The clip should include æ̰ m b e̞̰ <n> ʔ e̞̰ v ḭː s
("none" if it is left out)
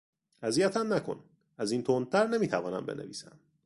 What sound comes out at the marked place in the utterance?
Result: n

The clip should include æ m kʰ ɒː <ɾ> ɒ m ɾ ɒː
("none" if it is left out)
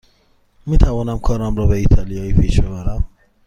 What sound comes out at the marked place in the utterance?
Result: ɾ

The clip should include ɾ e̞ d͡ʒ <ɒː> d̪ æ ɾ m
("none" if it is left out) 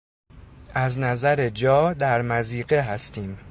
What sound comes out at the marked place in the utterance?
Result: ɒː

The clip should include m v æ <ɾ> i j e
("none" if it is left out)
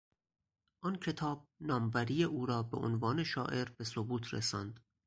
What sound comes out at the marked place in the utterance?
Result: ɾ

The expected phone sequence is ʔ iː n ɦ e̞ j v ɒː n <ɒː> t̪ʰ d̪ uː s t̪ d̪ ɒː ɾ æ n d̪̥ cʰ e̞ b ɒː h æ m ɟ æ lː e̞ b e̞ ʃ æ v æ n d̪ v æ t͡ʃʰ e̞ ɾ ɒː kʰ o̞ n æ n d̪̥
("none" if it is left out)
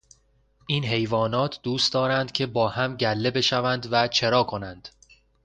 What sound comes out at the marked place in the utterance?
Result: ɒː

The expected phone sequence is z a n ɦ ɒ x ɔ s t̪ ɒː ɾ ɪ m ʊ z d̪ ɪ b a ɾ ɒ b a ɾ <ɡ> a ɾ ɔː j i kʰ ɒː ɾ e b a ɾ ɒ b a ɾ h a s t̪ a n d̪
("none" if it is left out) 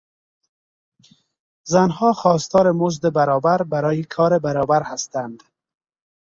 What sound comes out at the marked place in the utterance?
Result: b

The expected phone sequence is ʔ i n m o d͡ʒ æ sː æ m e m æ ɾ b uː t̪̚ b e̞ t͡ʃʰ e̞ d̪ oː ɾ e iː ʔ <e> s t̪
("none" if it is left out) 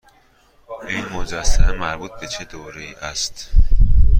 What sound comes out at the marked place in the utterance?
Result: æ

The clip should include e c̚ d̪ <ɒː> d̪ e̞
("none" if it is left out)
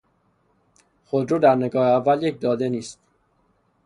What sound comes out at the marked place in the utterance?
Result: ɒː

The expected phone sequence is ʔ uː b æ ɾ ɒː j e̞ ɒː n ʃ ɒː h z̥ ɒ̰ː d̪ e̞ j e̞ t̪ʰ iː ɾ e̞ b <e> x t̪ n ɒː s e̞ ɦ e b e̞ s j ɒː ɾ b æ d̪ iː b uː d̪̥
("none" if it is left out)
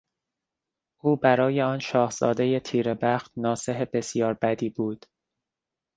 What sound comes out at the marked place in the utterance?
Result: æ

